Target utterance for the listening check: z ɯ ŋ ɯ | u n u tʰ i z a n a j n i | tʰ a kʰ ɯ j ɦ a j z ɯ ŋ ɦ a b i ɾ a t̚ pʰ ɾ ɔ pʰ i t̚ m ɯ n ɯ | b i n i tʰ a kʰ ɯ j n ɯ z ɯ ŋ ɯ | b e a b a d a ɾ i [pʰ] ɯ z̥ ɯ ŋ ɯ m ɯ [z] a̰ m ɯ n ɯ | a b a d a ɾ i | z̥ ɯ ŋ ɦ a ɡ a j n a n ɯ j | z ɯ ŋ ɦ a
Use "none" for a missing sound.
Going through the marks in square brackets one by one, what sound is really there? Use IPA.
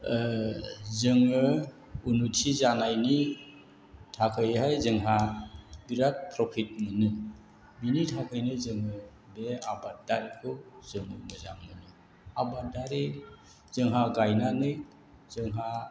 kʰ, z

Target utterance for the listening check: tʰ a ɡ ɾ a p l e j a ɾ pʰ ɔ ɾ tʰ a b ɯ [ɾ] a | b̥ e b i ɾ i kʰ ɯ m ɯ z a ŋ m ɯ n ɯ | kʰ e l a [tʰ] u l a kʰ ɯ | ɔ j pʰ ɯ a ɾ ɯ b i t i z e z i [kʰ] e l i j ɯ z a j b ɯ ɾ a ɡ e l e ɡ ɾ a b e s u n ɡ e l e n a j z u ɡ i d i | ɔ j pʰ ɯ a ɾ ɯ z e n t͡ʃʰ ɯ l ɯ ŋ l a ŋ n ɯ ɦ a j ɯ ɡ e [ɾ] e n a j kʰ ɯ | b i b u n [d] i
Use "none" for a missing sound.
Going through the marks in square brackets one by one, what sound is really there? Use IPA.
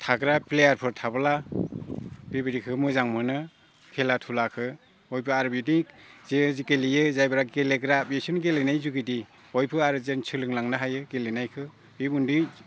l, tʰ, k, l, d

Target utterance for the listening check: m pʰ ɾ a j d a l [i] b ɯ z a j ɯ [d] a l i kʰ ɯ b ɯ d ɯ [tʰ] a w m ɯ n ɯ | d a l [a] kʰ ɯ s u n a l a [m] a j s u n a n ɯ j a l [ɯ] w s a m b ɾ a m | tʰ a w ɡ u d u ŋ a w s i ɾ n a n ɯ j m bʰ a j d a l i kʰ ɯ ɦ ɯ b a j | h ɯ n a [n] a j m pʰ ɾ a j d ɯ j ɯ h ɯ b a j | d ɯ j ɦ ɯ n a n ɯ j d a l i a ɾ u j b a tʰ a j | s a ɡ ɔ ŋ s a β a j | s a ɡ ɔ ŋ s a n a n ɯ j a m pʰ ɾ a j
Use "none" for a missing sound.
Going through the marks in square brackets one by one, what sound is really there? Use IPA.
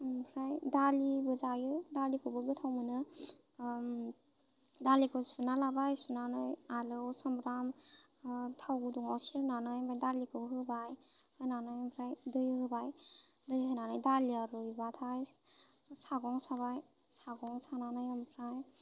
i, d, tʰ, i, b, ɯ, n

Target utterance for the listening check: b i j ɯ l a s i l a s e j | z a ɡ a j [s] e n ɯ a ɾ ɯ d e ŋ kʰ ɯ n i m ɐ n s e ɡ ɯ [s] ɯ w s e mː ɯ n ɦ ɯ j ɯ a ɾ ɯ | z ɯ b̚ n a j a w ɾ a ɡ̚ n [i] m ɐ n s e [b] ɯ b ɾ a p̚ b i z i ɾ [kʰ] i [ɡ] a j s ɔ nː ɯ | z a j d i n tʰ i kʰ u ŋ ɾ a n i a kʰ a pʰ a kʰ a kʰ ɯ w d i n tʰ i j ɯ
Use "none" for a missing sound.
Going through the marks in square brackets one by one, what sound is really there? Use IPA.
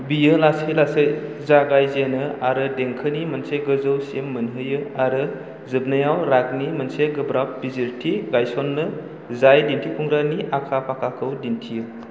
z, z, i, ɡ, tʰ, ɡ

